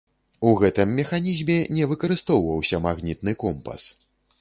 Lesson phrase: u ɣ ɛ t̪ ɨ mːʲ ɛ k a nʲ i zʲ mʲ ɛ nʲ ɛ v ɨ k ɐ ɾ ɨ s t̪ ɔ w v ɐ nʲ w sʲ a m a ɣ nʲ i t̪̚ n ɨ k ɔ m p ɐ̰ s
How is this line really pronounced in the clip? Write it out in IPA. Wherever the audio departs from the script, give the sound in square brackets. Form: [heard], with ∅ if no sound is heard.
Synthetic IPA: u ɣ ɛ t̪ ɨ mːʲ ɛ [x] a nʲ i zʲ mʲ ɛ nʲ ɛ v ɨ k ɐ ɾ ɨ s t̪ ɔ w v ɐ [∅] w sʲ [ɐ] m a ɣ nʲ i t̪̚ n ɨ k ɔ m p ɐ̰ s